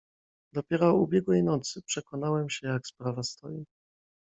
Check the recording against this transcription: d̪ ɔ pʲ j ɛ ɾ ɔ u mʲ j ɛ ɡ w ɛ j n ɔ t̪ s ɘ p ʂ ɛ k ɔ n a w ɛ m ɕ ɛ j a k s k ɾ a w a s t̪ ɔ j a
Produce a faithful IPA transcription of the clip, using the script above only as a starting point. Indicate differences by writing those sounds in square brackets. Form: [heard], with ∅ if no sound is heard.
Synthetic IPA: d̪ ɔ pʲ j ɛ ɾ ɔ u [bʲ] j ɛ ɡ w ɛ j n ɔ t̪ s ɘ p ʂ ɛ k ɔ n a w ɛ m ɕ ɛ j a k s [p] ɾ a [v] a s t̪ ɔ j [i]